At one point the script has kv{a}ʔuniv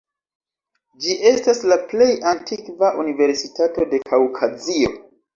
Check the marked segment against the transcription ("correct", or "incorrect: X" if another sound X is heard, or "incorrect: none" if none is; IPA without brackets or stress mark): correct